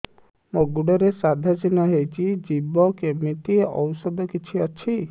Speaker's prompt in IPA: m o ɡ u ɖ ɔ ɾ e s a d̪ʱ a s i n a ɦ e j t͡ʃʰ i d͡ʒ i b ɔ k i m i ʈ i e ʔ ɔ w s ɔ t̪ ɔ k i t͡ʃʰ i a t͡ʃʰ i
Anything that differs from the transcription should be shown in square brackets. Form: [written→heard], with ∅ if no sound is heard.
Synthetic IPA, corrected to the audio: m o ɡ u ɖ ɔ ɾ e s a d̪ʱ a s i n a ɦ e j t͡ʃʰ i d͡ʒ i b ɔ k [i→e] m i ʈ i e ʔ ɔ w s ɔ [t̪→d̪] ɔ k i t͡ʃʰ i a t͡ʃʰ i